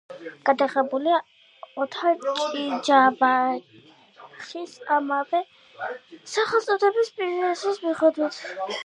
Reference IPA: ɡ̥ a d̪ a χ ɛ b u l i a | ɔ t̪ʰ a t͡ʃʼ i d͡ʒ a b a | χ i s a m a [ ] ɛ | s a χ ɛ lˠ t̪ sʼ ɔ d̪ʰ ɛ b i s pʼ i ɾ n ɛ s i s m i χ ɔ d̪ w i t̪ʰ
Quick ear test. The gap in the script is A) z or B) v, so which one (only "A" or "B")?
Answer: B